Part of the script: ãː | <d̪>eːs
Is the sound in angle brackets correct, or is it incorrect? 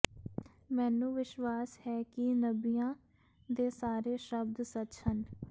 correct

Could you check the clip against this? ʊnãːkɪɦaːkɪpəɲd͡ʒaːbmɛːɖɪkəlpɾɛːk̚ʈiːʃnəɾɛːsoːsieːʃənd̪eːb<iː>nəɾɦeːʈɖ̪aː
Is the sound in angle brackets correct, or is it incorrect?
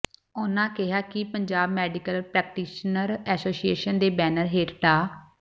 incorrect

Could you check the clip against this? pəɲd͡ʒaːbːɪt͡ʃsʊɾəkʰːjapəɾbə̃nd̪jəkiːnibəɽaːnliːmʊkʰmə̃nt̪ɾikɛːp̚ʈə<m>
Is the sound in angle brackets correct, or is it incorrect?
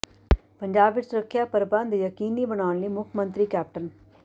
incorrect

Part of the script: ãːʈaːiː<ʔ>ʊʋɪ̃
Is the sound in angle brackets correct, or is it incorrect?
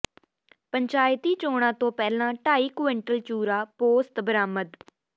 incorrect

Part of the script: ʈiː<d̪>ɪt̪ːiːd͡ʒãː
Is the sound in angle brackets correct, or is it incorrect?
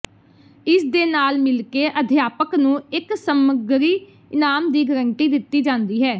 correct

